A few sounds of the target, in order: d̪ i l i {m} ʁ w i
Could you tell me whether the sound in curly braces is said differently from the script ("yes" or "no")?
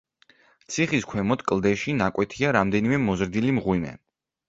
no